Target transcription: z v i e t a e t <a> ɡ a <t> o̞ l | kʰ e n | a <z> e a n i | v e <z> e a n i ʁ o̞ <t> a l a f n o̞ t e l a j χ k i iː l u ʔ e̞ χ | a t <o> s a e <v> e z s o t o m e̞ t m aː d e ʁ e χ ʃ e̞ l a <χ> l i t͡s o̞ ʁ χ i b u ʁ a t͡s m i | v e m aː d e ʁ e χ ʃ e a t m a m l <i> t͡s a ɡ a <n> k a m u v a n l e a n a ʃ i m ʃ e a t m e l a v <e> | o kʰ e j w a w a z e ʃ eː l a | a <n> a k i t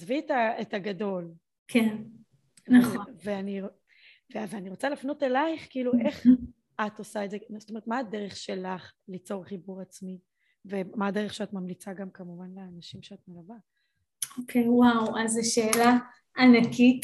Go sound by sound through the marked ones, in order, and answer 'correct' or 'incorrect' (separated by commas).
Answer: correct, incorrect, incorrect, incorrect, incorrect, correct, incorrect, correct, correct, incorrect, incorrect, correct